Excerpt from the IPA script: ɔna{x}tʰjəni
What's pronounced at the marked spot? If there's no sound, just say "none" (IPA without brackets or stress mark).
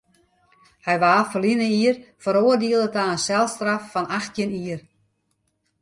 x